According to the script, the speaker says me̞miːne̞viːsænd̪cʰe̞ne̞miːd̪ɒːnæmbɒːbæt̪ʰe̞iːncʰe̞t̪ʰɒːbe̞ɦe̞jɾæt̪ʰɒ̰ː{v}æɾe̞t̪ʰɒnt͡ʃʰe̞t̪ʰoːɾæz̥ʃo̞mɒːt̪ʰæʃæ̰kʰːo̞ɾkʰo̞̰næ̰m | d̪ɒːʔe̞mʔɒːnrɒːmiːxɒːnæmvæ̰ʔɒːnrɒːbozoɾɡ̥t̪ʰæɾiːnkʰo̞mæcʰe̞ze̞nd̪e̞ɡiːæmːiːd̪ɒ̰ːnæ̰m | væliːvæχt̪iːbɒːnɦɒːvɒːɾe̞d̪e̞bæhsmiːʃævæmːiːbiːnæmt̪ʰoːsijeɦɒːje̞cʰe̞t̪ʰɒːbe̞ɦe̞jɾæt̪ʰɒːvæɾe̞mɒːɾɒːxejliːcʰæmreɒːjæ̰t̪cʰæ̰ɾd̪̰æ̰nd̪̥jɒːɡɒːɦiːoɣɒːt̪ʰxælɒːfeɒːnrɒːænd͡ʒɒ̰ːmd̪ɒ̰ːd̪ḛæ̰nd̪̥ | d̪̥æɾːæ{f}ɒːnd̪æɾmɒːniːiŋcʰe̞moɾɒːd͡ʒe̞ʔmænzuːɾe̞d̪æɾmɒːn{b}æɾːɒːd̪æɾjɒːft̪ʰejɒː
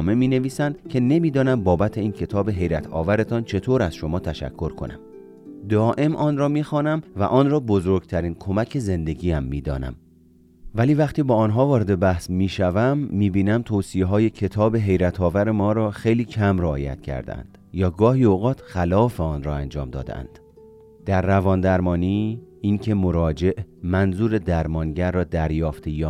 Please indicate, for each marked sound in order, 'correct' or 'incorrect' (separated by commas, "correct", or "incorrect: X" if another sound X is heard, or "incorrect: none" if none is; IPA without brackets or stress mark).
correct, incorrect: v, incorrect: ɟ